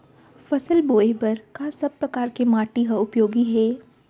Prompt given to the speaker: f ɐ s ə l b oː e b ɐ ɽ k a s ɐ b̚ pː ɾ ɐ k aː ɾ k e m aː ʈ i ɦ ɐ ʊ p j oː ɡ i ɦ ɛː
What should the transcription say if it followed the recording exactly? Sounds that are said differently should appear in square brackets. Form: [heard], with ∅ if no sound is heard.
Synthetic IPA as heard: f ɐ s ə l b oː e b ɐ [ɾ] k a s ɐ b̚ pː ɾ ɐ k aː ɾ k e m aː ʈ i ɦ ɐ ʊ p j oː ɡ i ɦ ɛː